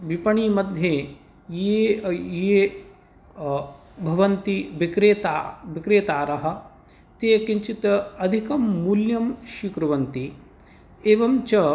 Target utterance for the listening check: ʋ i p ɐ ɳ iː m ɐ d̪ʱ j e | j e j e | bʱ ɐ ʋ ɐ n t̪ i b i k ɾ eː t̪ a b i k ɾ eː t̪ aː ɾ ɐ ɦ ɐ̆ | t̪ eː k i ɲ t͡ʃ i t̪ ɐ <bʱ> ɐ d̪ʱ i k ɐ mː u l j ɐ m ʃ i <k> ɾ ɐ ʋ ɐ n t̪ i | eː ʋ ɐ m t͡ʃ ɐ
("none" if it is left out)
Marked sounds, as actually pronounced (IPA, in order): none, k

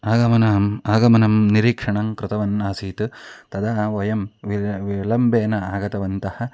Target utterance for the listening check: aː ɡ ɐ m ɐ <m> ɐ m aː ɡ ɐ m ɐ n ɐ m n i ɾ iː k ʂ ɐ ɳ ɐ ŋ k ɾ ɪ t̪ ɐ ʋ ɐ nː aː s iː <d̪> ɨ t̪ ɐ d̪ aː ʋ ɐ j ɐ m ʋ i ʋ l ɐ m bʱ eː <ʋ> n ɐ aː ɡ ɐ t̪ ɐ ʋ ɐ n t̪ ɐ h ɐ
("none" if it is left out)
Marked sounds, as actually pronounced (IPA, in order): n, t̪, none

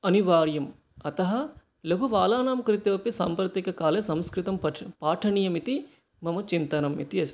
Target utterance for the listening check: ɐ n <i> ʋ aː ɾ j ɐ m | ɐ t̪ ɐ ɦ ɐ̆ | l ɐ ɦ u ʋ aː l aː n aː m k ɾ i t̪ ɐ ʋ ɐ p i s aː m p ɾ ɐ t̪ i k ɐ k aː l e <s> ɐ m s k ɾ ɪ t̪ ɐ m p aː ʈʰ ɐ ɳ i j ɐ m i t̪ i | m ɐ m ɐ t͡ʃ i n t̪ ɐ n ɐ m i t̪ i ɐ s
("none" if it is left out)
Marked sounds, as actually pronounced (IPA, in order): i, s

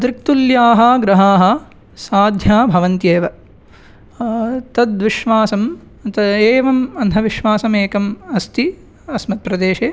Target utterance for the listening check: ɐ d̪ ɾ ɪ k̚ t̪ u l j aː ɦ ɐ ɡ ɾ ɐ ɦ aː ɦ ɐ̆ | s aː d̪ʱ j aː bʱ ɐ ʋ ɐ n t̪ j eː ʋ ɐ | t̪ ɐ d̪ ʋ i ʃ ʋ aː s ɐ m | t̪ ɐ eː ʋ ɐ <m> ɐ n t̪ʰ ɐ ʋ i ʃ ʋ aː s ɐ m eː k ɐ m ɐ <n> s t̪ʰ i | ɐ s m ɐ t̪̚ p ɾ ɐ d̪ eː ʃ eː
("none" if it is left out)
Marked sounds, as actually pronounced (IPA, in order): m, none

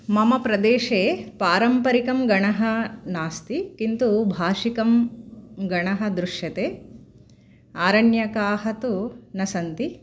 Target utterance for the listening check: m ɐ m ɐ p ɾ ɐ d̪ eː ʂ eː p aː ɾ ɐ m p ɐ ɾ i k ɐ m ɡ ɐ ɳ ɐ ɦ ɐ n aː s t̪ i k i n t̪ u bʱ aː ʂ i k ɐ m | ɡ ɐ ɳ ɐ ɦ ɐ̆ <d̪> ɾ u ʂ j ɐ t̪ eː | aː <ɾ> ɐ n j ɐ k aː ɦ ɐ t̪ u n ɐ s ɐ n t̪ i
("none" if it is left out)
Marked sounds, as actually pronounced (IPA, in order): d̪, ɾ

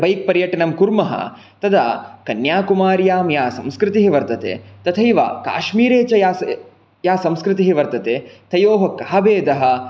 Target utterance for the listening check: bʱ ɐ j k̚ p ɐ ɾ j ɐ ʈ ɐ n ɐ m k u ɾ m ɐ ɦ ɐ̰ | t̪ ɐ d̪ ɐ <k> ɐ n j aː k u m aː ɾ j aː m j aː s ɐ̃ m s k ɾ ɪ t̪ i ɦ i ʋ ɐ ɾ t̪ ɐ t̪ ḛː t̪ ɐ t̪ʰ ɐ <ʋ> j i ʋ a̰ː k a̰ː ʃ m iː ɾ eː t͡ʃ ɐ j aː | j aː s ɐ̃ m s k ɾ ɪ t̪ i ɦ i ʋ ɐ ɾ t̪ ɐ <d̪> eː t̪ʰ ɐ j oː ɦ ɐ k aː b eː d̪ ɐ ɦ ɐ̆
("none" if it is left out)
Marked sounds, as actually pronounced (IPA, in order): k, none, t̪

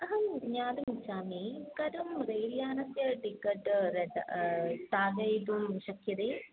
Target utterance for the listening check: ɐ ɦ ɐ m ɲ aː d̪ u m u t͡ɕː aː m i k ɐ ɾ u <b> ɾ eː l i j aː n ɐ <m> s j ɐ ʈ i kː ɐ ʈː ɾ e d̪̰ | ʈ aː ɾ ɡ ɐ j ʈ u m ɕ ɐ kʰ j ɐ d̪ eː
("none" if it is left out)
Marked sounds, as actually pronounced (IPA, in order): m, none

